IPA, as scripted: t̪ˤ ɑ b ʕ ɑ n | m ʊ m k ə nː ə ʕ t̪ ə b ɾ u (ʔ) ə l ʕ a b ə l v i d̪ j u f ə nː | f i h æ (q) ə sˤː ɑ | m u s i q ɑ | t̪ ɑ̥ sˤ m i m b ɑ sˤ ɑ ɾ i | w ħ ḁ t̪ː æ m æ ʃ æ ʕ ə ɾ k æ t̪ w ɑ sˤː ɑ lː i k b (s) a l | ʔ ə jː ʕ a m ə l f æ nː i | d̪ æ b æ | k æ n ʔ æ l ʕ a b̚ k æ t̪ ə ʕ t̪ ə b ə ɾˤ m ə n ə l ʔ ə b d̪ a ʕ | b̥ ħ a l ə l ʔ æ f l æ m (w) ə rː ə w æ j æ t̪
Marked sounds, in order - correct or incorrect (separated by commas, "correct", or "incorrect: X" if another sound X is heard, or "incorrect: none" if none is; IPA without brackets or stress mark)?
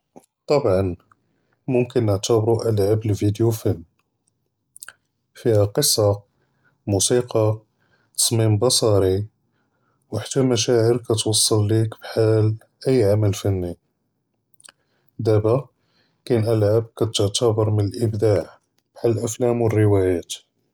correct, correct, incorrect: ħ, correct